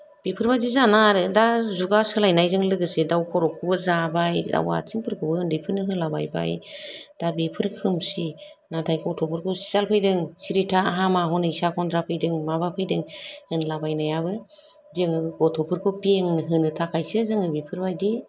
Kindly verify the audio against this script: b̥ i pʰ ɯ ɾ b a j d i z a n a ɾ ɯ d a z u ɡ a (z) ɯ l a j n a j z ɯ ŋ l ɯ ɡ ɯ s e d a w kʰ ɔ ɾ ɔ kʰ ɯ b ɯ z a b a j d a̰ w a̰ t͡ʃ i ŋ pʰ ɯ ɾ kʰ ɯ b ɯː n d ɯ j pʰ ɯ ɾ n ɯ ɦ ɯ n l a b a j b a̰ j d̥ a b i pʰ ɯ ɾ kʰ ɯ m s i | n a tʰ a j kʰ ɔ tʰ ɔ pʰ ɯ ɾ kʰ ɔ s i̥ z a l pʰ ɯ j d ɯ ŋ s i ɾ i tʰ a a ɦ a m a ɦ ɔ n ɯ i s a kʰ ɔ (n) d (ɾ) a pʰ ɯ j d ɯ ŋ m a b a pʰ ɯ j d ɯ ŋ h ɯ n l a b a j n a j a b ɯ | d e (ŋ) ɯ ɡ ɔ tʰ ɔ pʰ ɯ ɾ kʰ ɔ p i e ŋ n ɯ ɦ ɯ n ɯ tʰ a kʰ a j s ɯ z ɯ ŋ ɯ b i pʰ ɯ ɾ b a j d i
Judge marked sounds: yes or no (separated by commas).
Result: no, yes, yes, yes